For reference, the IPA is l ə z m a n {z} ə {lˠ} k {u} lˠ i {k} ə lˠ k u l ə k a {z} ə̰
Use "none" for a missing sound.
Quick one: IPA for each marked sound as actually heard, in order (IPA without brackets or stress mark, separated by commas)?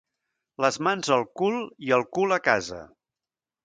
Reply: z, lˠ, u, none, z